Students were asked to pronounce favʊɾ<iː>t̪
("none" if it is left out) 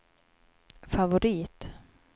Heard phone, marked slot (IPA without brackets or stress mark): iː